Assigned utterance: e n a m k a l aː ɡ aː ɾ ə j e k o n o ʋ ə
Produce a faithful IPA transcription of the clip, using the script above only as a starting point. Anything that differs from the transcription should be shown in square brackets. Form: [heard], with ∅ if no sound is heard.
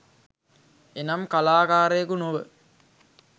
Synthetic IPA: e n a m k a l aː [k] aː ɾ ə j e k [u] n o ʋ ə

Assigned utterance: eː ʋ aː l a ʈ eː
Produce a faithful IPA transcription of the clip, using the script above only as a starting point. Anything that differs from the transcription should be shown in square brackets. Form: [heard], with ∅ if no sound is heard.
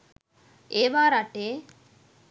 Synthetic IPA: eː ʋ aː [ɾ] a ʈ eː

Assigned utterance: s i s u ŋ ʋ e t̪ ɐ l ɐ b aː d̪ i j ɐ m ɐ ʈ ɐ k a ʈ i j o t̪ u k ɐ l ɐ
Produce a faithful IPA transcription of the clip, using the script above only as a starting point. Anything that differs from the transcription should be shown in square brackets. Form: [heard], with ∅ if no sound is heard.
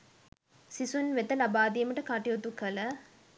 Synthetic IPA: s i s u [n] ʋ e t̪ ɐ l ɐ b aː d̪ i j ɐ m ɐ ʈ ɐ k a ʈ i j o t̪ u k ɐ l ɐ

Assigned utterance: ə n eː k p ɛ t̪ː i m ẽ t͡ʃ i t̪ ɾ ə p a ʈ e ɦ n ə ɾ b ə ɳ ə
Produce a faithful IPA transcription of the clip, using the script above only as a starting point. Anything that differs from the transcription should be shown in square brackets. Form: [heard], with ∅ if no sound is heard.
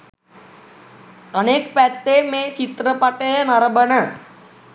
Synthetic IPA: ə n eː k p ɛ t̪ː [e] m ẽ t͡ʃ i t̪ ɾ ə p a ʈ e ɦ n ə ɾ b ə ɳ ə

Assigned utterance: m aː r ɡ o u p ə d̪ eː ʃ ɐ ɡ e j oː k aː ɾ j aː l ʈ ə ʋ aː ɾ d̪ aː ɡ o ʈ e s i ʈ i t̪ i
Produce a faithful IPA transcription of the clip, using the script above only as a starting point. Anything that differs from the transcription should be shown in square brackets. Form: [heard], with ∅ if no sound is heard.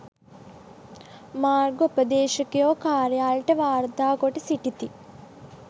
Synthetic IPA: m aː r ɡ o u p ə d̪ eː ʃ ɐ [k] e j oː k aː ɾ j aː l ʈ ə ʋ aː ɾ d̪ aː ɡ o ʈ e s i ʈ i t̪ i

